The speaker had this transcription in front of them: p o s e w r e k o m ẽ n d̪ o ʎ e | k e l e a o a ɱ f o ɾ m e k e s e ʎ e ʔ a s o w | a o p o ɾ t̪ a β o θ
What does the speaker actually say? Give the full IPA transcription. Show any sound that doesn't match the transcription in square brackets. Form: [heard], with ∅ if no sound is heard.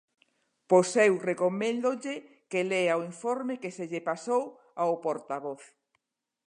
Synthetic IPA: p o s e w r e k o m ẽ n d̪ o ʎ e | k e l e a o [i] ɱ f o ɾ m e k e s e ʎ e [p] a s o w | a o p o ɾ t̪ a β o θ

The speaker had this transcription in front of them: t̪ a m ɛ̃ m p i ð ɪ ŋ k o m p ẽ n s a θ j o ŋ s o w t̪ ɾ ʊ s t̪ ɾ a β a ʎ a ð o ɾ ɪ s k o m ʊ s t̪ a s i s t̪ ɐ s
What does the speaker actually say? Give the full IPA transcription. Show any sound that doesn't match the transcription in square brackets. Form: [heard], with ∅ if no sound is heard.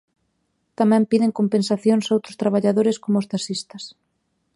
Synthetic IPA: t̪ a m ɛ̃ m p i ð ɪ ŋ k o m p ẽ n s a θ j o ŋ s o w t̪ ɾ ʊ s t̪ ɾ a β a ʎ a ð o ɾ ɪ s k o m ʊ s t̪ a s i s t̪ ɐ s

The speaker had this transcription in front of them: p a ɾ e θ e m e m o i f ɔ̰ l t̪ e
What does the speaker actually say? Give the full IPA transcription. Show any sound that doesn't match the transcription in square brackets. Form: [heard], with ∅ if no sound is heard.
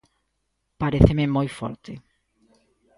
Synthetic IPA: p a ɾ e θ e m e m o [j] f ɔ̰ [ɾ] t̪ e

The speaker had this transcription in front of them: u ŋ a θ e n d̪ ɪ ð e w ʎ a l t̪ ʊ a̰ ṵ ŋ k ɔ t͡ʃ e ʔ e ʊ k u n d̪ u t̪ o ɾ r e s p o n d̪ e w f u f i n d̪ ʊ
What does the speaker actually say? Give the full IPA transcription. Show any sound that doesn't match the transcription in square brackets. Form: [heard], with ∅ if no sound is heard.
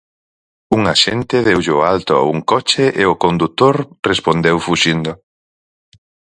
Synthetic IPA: u ŋ a [ʃ] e n [t̪] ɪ ð e w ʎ a l t̪ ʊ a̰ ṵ ŋ k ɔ t͡ʃ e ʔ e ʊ k [o] n d̪ u t̪ o ɾ r e s p o n d̪ e w f u [ʃ] i n d̪ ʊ

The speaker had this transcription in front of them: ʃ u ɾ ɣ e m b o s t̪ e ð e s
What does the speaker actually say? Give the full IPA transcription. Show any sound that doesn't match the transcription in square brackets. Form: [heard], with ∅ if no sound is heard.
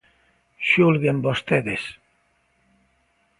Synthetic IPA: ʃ u [l] ɣ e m b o s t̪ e ð e s

